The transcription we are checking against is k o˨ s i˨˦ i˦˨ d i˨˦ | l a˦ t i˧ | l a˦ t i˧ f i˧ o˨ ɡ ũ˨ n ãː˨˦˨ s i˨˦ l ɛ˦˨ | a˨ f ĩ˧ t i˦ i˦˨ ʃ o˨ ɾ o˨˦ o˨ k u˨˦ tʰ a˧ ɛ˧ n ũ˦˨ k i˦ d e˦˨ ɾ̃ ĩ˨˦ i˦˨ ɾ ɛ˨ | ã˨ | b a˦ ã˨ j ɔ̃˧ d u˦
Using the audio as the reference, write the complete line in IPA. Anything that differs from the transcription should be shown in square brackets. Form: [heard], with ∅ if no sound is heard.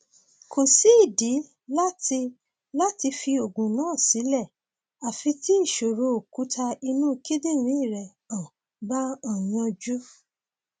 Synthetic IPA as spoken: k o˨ s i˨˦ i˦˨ d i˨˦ | l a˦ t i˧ | l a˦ t i˧ f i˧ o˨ ɡ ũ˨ n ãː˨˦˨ s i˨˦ l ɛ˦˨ | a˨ f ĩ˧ t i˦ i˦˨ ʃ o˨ ɾ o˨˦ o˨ k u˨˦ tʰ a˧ [i˧] n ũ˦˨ k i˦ d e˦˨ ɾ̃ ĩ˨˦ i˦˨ ɾ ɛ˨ | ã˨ | b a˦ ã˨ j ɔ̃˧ [d͡ʒ] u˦

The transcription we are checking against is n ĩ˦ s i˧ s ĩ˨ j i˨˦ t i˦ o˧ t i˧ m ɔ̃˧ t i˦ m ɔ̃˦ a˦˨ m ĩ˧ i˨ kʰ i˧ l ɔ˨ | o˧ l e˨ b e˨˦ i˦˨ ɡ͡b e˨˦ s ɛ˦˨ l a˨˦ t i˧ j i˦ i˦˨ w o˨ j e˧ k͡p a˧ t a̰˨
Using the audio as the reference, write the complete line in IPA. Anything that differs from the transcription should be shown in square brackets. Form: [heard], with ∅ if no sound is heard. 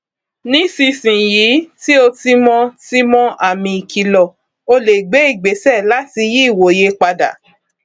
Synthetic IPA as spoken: n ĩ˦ s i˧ s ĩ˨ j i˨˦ t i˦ o˧ t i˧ m ɔ̃˧ t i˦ m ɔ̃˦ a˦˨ m ĩ˧ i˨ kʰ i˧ l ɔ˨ | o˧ l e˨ [ɡ͡b] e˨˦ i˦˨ ɡ͡b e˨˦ s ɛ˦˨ l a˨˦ t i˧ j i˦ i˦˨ w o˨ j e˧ k͡p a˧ [d] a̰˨

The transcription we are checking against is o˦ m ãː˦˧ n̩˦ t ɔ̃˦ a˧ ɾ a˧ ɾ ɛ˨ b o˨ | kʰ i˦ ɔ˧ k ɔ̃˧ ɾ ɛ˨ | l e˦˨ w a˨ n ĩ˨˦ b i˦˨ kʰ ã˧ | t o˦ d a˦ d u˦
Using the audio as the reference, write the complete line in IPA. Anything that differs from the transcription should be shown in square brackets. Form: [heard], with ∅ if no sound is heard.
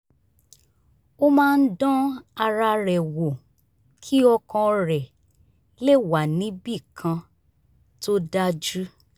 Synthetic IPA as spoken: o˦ m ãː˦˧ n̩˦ [d] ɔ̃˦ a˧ ɾ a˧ ɾ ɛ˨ [w] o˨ | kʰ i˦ ɔ˧ k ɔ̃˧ ɾ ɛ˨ | l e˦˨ w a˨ n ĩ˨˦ b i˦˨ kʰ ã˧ | t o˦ d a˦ [d͡ʒ] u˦

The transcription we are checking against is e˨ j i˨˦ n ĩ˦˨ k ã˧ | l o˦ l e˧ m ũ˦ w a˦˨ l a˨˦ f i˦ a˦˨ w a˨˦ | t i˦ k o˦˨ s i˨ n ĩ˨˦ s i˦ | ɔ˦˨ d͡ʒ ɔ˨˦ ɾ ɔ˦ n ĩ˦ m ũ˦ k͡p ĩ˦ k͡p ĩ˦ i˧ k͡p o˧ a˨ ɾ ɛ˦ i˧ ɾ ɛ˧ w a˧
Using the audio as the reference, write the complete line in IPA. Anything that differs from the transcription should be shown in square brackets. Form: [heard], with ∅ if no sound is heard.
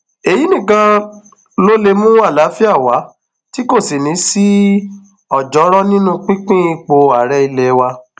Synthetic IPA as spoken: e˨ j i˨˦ n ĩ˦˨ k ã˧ | l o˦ l e˧ m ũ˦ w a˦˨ l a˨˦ f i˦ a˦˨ w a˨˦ | t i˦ k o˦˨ s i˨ n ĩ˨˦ s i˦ | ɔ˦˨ d͡ʒ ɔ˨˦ ɾ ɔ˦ n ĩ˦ [n] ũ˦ k͡p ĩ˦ k͡p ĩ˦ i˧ k͡p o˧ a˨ ɾ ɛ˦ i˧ [l] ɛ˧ w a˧

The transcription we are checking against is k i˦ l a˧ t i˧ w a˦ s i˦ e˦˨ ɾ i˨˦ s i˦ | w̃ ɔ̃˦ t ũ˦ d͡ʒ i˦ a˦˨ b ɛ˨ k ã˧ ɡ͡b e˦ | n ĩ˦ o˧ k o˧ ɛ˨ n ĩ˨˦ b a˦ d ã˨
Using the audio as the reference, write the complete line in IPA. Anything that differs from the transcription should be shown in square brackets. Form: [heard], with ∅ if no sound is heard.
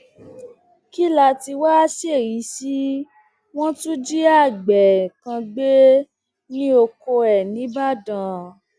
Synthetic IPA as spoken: k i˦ l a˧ t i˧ w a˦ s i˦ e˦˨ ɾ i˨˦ s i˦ | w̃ ɔ̃˦ t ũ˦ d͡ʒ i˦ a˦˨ [ɡ͡b] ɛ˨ k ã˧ ɡ͡b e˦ | n ĩ˦ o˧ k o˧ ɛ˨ n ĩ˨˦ b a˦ d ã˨

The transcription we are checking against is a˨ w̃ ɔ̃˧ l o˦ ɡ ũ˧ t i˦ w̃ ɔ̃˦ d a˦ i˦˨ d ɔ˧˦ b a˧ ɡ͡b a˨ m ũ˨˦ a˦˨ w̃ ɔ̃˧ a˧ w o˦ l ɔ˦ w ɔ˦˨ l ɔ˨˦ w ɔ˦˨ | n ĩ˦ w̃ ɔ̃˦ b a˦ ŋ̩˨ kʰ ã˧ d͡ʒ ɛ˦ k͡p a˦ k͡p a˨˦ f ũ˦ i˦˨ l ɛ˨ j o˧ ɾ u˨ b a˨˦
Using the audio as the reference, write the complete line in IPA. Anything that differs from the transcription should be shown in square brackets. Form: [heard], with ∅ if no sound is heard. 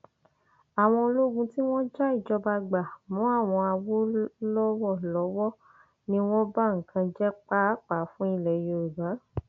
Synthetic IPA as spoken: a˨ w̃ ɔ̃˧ l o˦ ɡ ũ˧ t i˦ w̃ ɔ̃˦ [d͡ʒ] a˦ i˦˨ [d͡ʒ] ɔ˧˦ b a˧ ɡ͡b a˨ m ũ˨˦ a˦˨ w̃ ɔ̃˧ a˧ w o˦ l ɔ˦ w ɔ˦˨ l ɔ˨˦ w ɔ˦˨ | n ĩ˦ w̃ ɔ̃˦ b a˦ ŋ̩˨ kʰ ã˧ d͡ʒ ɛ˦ k͡p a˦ k͡p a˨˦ f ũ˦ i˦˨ l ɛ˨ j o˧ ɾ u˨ b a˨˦

